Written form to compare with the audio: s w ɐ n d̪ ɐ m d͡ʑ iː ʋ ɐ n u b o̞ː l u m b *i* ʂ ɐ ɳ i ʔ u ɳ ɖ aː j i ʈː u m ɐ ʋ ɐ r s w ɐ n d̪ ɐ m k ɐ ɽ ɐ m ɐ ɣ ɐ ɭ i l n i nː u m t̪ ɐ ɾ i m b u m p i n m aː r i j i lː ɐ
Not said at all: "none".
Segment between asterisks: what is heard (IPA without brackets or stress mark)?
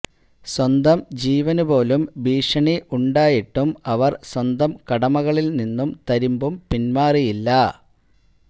iː